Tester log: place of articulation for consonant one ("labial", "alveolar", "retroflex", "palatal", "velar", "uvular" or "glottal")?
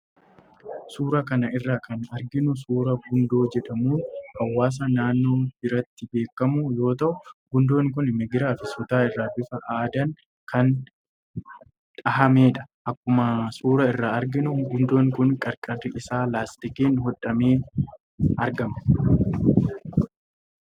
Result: alveolar